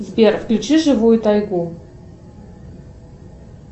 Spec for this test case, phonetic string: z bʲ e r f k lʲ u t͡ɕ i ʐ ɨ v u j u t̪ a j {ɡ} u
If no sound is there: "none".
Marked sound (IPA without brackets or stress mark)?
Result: ɡ